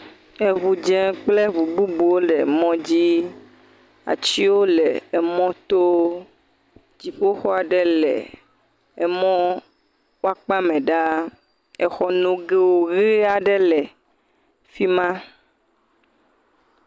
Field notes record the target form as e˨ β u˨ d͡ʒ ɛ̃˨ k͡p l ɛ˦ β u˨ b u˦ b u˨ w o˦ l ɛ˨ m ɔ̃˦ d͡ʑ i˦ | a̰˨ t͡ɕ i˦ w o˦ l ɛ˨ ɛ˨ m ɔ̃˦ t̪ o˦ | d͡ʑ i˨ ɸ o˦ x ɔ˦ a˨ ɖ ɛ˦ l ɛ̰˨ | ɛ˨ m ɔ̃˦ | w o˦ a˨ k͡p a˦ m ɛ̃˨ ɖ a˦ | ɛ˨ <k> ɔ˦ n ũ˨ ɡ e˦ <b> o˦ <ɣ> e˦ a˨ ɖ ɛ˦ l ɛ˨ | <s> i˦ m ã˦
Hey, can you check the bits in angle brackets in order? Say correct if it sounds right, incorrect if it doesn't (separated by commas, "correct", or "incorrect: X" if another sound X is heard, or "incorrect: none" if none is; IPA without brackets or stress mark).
incorrect: x, incorrect: w, correct, incorrect: f